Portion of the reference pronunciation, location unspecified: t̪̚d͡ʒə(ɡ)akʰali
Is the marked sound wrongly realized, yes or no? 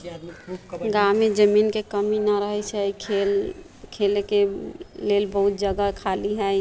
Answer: no